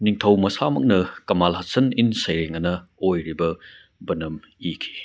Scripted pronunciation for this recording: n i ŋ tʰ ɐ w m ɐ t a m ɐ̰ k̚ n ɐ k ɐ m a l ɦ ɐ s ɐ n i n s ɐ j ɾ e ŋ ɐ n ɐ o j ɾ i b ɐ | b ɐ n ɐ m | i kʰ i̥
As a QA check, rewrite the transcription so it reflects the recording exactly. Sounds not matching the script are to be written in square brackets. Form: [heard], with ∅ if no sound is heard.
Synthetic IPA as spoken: n i ŋ tʰ ɐ w m ɐ [s] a m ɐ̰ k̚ n ɐ k ɐ m a l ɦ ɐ s ɐ n i n s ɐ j ɾ e ŋ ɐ n ɐ o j ɾ i b ɐ | b ɐ n ɐ m | i kʰ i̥